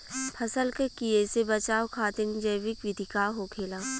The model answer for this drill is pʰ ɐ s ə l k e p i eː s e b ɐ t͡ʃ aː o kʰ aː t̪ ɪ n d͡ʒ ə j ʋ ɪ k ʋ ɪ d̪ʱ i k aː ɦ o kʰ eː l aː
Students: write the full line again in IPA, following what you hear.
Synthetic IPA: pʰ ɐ s ə l k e k i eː s e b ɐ t͡ʃ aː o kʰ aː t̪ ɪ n d͡ʒ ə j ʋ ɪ k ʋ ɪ d̪ʱ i k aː ɦ o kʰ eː l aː